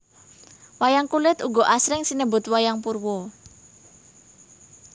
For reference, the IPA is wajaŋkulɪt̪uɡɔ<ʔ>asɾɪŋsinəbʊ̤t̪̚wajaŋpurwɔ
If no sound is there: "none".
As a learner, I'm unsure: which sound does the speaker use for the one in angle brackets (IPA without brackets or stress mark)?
ʔ